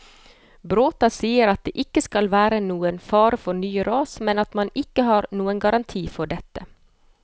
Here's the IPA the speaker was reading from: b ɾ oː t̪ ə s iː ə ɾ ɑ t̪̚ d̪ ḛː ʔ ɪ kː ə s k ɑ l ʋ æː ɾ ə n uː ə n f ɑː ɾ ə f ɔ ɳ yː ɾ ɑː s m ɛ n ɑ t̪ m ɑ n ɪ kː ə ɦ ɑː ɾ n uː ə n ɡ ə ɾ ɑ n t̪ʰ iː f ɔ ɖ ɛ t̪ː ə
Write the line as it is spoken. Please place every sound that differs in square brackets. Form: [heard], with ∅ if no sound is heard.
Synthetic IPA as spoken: b ɾ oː t̪ [ɑ] s iː ə ɾ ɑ t̪̚ d̪ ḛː ʔ ɪ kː ə s k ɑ l ʋ æː ɾ ə n uː ə n f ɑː ɾ ə f ɔ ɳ yː ɾ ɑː s m ɛ n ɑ t̪ m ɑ n ɪ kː ə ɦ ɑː ɾ n uː ə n ɡ [ɑ] ɾ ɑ n t̪ʰ iː f ɔ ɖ ɛ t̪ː ə